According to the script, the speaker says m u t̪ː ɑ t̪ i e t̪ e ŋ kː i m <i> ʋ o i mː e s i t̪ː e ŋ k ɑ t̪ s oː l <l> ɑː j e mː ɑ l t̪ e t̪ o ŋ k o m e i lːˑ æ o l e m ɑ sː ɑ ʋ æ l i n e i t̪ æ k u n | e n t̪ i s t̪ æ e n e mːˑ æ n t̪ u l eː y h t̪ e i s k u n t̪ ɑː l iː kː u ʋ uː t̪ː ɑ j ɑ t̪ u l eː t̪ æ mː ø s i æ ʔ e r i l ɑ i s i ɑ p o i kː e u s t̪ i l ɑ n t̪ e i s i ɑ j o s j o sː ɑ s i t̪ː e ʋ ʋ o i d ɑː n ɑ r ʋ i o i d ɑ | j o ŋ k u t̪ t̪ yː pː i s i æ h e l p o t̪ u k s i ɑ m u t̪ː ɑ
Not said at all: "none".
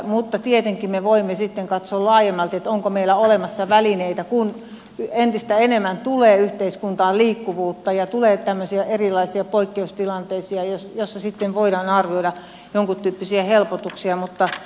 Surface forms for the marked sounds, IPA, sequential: e, l

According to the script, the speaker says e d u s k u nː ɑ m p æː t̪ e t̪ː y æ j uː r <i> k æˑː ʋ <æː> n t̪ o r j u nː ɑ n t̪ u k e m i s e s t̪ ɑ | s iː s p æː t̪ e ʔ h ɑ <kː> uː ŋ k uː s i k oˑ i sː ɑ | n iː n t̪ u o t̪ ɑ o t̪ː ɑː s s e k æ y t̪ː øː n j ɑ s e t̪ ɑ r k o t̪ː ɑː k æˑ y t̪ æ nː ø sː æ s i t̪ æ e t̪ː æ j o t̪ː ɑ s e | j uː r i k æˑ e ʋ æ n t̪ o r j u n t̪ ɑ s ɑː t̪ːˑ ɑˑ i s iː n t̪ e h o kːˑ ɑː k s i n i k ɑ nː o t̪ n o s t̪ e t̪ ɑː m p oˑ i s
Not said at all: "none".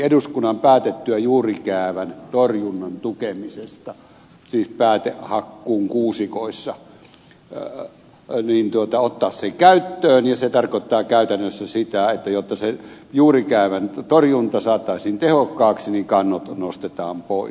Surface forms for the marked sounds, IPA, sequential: i, æ, kː

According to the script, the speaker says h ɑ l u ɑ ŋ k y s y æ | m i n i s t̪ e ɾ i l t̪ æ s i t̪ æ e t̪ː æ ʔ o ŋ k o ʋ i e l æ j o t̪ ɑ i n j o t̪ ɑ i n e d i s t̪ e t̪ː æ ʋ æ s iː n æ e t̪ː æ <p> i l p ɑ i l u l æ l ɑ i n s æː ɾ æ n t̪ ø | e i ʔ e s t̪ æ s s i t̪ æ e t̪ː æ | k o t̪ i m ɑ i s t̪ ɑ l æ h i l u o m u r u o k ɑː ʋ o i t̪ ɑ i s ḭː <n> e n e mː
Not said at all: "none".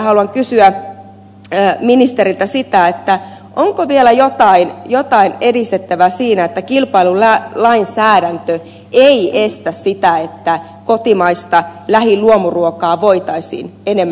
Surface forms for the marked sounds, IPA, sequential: k, n

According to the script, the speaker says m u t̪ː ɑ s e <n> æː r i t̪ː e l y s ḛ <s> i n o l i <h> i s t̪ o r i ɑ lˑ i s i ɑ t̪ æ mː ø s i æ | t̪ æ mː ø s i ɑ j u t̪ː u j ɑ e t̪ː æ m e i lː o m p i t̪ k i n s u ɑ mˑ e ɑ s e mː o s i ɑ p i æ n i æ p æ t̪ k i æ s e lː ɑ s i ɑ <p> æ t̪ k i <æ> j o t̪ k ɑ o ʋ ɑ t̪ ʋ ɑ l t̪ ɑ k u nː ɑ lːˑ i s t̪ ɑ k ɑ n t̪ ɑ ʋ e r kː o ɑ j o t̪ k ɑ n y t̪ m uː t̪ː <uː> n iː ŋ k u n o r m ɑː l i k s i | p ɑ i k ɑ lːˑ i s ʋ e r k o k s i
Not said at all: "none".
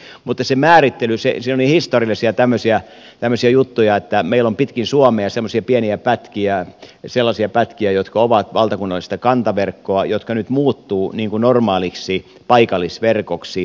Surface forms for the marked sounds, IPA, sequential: m, s, h, p, æ, uː

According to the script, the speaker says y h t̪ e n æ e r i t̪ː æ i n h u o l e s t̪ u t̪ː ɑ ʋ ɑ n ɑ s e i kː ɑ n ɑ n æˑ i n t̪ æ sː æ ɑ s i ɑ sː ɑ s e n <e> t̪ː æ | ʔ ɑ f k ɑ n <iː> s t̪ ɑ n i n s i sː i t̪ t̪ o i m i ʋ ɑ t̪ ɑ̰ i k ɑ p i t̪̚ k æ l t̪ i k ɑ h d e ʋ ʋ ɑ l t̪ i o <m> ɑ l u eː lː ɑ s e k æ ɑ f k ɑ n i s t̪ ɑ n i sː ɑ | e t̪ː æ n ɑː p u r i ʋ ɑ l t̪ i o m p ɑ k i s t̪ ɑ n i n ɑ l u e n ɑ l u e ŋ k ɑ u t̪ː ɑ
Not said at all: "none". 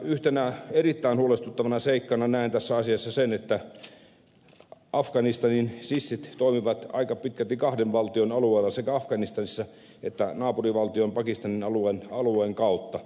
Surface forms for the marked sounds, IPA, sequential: e, i, n

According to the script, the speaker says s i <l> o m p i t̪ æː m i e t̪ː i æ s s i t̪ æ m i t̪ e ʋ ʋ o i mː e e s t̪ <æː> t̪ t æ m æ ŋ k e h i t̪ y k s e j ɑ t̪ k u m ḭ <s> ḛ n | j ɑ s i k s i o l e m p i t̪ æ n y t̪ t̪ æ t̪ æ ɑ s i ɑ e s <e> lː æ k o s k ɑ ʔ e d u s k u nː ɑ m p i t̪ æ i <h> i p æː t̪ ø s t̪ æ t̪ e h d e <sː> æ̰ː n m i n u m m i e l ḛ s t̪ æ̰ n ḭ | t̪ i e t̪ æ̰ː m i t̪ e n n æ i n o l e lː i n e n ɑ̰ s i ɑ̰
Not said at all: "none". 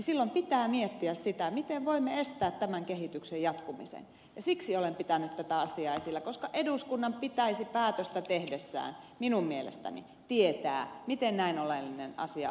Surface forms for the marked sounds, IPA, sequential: lː, æː, s, i, s, sː

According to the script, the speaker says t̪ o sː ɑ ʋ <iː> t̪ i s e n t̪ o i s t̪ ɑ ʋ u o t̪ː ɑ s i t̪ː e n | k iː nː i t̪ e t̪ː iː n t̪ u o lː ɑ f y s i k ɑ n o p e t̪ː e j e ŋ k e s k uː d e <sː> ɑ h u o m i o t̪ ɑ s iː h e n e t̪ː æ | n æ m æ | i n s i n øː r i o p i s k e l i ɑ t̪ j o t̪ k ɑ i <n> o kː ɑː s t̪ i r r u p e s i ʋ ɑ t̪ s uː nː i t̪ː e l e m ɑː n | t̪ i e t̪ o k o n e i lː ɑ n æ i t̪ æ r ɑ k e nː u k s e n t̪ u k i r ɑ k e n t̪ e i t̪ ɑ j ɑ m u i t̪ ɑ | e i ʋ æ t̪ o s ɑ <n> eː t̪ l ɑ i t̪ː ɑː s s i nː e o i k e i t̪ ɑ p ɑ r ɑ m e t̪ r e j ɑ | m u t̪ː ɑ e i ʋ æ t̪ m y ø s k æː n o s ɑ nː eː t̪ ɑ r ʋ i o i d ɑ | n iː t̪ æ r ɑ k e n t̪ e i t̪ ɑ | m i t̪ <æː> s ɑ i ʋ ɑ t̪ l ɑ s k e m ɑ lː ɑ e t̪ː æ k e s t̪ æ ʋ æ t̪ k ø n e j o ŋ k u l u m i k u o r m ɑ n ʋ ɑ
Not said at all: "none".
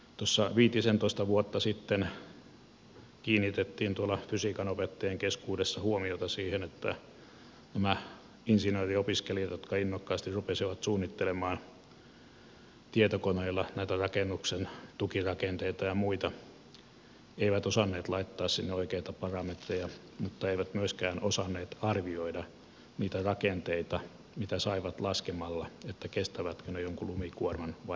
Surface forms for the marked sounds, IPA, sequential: iː, sː, nː, nː, æ

